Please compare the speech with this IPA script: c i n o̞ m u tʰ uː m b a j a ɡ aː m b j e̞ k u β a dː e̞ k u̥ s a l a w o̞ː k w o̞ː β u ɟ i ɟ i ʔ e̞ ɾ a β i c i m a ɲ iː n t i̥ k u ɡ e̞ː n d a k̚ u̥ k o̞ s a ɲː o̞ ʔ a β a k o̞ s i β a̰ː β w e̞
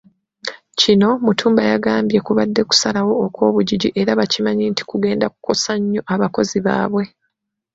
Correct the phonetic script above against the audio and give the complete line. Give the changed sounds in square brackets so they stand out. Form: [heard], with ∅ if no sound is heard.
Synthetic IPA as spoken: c i n o̞ m u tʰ uː m b a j a ɡ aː m b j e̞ k u β a dː e̞ k u̥ s a l a w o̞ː k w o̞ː β u ɟ i ɟ i ʔ e̞ ɾ a β [a] c i m a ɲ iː n t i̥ k u ɡ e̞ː n d a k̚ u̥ k o̞ s a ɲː o̞ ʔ a β a k o̞ [z] i β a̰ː β w e̞